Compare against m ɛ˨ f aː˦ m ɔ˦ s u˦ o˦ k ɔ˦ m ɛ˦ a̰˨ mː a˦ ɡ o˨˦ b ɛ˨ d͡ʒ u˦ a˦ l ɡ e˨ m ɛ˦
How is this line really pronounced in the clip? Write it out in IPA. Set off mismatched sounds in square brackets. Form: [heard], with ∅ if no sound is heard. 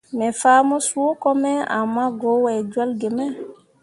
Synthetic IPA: m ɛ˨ f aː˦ m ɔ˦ s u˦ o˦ k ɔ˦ m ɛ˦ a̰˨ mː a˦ ɡ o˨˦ [w] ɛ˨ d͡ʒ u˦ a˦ l ɡ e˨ m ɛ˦

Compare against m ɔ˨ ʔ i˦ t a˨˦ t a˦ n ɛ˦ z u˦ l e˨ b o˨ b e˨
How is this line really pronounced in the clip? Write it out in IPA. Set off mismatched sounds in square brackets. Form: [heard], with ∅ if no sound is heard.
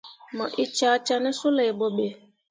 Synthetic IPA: m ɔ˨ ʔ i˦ [t͡ʃ] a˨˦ [t͡ʃ] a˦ n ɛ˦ [s] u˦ l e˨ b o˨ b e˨

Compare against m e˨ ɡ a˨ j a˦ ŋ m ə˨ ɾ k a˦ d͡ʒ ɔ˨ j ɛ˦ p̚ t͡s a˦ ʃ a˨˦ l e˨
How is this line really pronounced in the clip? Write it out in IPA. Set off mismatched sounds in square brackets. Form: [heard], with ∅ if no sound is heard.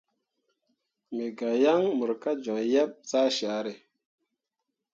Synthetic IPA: m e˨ ɡ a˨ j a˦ ŋ m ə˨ ɾ k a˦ d͡ʒ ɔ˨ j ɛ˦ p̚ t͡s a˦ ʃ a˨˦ [ɾ] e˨

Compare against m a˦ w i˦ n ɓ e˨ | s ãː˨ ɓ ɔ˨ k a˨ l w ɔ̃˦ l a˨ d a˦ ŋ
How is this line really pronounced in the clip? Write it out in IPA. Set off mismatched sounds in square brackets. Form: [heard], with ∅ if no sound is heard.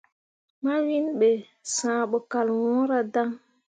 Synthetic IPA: m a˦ w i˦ n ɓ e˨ | s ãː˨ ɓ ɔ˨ k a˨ l w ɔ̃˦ [ɾ] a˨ d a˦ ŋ

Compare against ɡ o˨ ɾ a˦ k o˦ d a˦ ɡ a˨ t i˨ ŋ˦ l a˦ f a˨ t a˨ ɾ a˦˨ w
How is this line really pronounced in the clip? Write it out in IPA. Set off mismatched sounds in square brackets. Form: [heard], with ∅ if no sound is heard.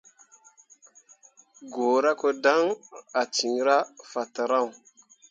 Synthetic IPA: ɡ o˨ ɾ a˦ k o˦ d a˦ [ŋ] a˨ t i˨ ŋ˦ [ɾ] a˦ f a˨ t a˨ ɾ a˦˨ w

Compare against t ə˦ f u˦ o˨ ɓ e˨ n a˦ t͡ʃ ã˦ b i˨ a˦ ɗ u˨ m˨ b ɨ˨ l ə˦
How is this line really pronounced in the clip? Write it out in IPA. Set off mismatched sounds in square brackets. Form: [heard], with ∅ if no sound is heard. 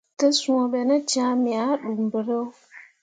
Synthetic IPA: t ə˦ [s] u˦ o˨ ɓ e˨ n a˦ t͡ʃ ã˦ [m] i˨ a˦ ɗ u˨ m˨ b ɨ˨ [ɾ] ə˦

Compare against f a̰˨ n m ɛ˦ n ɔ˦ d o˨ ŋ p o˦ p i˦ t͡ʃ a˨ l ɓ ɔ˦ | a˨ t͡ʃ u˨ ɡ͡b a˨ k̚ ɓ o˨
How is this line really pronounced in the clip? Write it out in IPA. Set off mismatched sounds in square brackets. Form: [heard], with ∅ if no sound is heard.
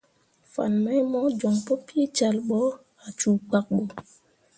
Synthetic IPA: f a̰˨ n m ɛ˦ [m] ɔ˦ [d͡ʒ] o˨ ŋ p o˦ p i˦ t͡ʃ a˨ l ɓ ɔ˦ | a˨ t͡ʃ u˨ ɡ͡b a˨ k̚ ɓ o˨

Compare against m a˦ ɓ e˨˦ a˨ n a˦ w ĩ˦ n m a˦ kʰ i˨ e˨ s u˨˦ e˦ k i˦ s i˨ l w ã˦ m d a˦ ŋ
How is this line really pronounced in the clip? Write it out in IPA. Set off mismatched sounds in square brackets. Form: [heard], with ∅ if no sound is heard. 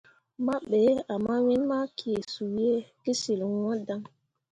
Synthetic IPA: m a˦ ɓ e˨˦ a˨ [m] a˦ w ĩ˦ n m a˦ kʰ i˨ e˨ s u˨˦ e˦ k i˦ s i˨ l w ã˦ [∅] d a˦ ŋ

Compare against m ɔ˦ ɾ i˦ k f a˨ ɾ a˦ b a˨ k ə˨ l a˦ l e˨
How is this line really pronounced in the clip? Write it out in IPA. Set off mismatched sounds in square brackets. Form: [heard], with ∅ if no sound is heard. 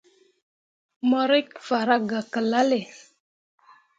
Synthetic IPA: m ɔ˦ ɾ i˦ k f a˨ ɾ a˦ [ɡ] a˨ k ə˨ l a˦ l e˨

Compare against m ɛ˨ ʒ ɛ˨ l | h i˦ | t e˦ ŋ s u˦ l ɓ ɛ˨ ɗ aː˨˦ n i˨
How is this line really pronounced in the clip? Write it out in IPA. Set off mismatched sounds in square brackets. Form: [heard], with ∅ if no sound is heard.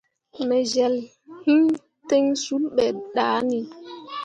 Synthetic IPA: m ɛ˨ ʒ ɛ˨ l | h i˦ | t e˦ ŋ s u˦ l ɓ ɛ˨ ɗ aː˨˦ n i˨

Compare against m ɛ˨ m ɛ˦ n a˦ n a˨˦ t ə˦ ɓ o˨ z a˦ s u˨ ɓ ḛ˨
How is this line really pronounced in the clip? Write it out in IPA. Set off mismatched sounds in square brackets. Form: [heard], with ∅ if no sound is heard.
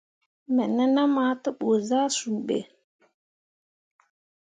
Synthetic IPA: m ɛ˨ [n] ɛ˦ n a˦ [m] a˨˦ t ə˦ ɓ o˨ z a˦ s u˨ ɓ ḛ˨

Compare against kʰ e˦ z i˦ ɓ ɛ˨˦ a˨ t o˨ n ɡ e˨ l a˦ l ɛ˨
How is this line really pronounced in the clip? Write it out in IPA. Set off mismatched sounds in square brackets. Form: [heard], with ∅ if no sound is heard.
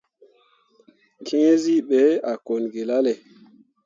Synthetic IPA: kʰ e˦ z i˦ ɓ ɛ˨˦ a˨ [k] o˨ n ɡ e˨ l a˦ l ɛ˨

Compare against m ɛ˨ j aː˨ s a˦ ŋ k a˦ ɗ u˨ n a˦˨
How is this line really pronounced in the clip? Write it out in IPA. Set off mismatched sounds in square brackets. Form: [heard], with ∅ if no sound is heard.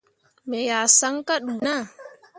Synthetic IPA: m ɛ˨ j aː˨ s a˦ ŋ k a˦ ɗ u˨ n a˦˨

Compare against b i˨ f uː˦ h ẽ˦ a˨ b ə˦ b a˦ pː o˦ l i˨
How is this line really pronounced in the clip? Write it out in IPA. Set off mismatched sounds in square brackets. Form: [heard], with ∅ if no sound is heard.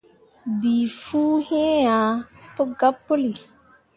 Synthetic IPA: b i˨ f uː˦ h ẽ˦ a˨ [p] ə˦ [ɡ] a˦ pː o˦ l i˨

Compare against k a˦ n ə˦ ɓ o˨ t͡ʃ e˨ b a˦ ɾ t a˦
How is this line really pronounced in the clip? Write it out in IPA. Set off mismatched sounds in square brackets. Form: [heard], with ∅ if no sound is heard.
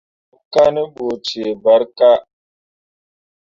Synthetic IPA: k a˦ n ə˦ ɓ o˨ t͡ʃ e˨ b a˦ ɾ [k] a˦

